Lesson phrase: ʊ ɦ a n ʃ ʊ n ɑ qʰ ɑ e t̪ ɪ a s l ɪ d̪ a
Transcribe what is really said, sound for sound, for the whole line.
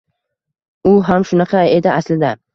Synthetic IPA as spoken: ʊ ɦ a m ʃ ʊ n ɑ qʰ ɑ e d̪ ɪ a s l ɪ d̪ a